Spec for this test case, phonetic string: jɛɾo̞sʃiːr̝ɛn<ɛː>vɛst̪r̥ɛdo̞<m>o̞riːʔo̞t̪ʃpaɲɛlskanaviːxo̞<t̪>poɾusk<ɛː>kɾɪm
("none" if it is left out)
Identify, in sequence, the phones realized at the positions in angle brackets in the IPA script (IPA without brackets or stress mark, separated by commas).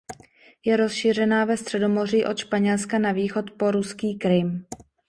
aː, m, t̪, iː